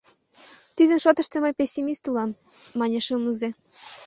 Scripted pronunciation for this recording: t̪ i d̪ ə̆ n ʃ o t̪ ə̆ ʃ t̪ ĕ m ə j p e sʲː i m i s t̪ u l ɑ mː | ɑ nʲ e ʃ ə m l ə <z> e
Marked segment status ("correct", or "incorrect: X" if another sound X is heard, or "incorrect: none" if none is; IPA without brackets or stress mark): correct